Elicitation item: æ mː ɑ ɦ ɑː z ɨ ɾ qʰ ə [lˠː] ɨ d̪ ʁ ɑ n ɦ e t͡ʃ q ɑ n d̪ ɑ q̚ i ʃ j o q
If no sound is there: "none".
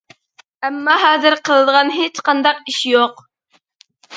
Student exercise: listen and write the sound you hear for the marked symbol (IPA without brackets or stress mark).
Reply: lˠ